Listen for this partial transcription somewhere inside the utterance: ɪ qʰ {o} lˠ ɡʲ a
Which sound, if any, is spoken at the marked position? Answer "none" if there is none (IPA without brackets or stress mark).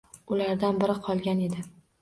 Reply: ɒ